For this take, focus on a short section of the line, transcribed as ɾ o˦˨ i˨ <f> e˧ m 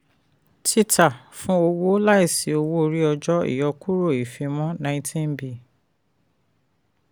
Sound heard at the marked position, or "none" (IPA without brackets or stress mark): f